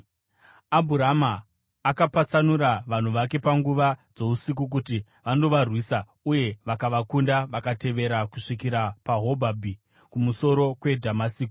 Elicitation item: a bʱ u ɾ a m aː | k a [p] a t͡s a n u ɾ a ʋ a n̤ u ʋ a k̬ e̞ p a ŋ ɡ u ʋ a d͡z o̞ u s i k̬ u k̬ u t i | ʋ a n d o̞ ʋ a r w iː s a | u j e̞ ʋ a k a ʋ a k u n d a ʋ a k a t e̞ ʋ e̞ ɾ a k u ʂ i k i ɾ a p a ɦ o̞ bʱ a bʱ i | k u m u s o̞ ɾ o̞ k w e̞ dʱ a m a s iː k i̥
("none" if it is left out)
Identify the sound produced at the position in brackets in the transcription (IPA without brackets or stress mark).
p